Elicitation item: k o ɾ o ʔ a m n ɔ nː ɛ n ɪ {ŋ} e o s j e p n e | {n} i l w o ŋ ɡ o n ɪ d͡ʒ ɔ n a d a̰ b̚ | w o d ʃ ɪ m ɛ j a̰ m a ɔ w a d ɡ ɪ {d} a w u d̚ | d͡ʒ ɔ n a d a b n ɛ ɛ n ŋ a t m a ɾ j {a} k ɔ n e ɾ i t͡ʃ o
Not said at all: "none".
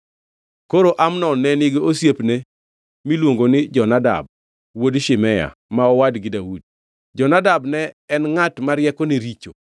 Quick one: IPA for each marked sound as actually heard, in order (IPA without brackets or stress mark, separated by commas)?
ɡ, m, d, ɛ